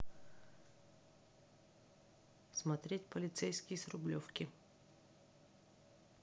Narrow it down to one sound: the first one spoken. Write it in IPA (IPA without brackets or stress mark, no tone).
s